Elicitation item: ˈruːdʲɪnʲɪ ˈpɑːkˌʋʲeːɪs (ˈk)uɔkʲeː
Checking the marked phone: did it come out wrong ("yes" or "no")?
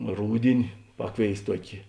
yes